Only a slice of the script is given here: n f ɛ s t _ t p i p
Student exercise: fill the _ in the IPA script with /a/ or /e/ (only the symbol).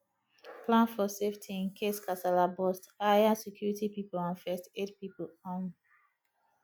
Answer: e